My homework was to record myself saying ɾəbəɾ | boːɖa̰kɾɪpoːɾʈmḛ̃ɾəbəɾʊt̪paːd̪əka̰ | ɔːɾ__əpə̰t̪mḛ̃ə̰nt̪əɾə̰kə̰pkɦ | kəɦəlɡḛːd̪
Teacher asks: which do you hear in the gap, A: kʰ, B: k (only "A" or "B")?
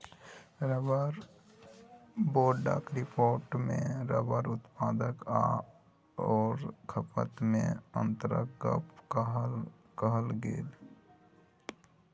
A